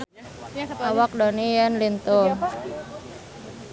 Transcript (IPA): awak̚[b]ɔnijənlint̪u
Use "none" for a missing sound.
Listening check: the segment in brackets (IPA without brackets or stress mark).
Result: d